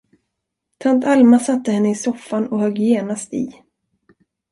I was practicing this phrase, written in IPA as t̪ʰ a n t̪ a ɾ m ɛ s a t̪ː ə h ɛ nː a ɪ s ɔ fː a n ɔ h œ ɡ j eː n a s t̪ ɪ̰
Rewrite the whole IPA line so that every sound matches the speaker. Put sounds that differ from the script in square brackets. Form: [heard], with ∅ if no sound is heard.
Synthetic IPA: t̪ʰ a n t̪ a [l] m [a] s a t̪ː ə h ɛ nː [ə] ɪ s ɔ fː a n ɔ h œ ɡ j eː n a s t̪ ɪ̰